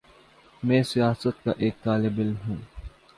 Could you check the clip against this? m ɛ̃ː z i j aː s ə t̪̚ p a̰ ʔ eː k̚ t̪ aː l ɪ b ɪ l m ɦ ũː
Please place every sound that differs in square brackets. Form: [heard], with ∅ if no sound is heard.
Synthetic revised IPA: m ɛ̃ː [s] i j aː s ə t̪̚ [k] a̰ ʔ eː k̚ t̪ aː l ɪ b ɪ l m ɦ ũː